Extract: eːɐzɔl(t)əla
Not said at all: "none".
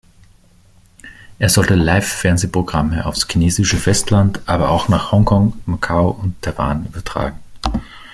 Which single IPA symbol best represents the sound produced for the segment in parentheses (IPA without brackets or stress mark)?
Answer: t